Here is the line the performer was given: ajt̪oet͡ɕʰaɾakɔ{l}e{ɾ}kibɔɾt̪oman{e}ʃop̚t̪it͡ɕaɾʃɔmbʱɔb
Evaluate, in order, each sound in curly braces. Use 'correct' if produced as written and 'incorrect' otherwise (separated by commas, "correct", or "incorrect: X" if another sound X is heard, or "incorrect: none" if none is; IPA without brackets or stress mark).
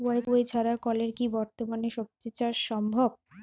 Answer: correct, correct, correct